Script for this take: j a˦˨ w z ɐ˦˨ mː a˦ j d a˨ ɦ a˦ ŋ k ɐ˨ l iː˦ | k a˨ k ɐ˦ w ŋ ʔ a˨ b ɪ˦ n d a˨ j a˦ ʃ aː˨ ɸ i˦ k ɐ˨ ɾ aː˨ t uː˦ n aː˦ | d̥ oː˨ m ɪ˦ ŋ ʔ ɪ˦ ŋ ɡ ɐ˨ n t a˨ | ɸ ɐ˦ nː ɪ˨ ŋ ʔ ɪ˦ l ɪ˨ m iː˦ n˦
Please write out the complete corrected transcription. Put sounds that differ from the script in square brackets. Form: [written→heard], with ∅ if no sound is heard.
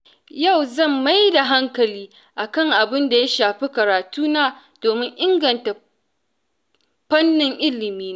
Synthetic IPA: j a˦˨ w z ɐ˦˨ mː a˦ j d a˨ ɦ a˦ ŋ k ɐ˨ l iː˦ | [k→ʔ] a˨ k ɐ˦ [w→∅] ŋ ʔ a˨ b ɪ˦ n d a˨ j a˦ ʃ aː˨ ɸ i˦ k ɐ˨ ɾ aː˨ t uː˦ n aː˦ | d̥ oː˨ m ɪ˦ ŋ ʔ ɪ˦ ŋ ɡ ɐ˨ n t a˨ | ɸ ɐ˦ nː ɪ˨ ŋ ʔ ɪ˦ l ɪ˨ m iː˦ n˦